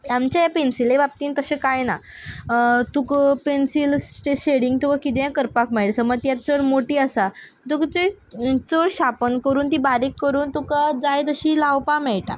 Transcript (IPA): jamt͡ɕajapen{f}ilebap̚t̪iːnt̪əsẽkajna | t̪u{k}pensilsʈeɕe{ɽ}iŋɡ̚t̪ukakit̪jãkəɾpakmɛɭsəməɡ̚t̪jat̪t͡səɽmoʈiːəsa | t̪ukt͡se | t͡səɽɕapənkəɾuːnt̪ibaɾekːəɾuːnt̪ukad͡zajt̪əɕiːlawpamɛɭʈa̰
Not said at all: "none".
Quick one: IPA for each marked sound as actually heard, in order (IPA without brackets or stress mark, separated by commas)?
s, k, ɽ